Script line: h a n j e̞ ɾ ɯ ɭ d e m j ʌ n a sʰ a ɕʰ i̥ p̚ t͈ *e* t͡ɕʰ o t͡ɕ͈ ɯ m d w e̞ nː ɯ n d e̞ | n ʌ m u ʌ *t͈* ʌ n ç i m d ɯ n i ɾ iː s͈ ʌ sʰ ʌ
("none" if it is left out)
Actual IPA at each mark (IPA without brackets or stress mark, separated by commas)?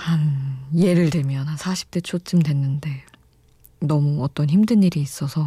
e, t͈